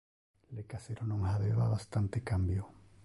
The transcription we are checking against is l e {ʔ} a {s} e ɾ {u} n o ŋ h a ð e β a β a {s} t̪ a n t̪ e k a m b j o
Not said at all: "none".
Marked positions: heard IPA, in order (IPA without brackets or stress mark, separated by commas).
k, s, o, s